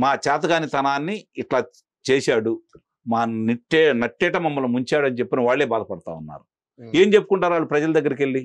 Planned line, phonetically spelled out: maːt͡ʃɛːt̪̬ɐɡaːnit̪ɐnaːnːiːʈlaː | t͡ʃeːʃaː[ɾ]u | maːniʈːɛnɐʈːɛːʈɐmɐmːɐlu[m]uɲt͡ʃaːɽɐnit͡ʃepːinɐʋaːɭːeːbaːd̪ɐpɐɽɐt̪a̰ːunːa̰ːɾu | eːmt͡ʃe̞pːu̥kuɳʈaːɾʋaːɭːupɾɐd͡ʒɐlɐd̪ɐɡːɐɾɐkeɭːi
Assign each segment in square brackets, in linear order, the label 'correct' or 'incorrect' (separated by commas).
incorrect, correct